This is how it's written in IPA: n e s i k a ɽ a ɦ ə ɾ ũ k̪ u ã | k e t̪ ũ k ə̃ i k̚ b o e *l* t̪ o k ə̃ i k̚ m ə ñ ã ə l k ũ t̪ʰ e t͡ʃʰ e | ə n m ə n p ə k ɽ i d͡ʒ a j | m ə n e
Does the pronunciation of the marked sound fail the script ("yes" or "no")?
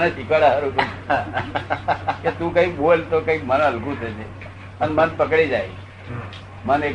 no